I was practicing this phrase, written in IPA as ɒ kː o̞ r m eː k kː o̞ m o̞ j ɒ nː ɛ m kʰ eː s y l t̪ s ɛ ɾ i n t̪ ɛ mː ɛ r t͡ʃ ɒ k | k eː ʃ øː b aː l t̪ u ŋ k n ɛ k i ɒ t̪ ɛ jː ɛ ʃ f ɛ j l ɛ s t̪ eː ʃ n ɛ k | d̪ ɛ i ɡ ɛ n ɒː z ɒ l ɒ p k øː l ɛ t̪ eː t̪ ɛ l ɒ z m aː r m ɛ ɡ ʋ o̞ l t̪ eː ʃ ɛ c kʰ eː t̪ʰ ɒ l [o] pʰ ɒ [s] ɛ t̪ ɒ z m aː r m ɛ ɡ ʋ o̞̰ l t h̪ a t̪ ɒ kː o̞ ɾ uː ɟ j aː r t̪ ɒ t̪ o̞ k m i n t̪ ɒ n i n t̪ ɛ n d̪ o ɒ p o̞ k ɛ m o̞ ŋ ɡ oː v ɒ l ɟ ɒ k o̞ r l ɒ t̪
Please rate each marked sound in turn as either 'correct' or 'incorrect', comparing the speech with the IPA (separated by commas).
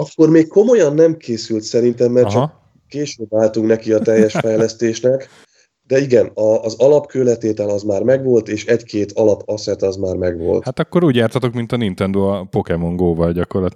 incorrect, correct